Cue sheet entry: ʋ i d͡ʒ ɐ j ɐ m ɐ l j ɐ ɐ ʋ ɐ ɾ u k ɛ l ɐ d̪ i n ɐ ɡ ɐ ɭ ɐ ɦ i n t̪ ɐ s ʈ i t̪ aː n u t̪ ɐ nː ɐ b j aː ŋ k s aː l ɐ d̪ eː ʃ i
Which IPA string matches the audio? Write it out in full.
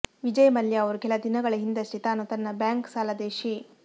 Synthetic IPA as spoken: ʋ i d͡ʒ ɐ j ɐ m ɐ l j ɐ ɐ ʋ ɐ ɾ u k ɛ l ɐ d̪ i n ɐ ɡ ɐ ɭ ɐ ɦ i n d̪ ɐ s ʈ i t̪ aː n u t̪ ɐ nː ɐ b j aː ŋ k s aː l ɐ d̪ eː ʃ i